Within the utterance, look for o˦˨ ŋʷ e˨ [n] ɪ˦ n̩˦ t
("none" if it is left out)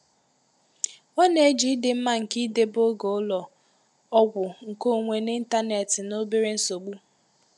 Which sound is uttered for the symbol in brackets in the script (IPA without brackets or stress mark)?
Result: n